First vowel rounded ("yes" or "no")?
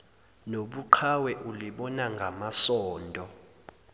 yes